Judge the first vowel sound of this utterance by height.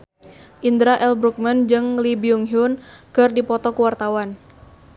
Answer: high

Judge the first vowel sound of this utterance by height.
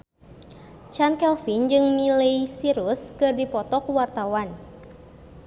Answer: low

